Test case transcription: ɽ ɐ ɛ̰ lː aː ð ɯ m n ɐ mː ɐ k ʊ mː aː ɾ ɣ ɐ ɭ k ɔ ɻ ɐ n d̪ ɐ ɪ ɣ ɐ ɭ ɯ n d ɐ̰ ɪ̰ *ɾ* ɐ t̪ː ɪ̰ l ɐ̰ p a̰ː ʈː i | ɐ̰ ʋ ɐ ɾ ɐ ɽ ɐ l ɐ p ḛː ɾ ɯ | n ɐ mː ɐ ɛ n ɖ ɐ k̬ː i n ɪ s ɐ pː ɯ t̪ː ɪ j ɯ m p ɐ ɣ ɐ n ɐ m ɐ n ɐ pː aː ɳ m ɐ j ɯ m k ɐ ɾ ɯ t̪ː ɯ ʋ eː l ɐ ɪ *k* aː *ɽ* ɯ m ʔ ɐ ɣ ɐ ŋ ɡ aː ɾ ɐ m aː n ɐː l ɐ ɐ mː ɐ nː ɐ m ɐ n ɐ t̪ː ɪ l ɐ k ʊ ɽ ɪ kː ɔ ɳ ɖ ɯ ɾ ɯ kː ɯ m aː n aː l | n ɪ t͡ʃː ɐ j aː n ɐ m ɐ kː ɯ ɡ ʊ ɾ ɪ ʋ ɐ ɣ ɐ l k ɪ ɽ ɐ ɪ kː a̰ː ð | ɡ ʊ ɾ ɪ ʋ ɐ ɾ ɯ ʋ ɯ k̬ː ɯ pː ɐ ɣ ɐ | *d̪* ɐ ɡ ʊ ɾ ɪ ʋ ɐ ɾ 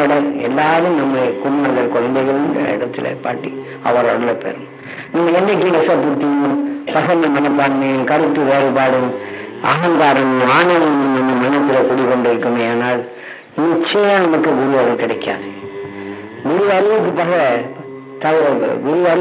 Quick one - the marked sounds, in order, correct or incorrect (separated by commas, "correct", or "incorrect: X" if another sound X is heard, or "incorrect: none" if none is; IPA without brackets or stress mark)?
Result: incorrect: ɽ, incorrect: p, correct, incorrect: t̪